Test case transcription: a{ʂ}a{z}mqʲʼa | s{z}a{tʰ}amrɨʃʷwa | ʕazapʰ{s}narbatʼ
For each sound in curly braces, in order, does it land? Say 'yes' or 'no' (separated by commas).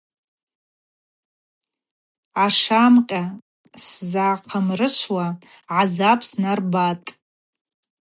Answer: yes, no, yes, no, yes